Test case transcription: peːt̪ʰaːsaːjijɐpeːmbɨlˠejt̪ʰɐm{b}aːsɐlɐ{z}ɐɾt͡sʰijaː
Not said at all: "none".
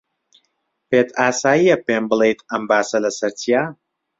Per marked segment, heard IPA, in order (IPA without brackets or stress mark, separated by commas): b, s